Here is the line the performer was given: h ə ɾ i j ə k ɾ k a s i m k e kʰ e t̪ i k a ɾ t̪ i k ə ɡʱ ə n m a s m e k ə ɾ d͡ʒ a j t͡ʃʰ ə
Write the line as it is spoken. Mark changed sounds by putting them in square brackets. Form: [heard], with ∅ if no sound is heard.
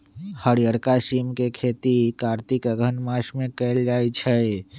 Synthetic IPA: h ə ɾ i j ə [∅] ɾ k a s i m k e kʰ e t̪ i k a ɾ t̪ i k ə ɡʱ ə n m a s m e k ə [l] d͡ʒ a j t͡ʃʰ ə